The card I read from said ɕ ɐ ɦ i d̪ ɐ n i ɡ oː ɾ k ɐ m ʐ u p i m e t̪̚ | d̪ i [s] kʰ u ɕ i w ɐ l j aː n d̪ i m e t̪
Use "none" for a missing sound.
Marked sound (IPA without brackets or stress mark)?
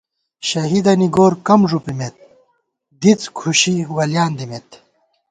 t͡s